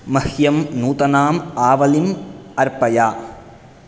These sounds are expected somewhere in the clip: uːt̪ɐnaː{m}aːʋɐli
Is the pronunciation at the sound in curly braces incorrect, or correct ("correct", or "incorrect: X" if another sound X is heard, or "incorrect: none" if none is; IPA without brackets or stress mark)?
correct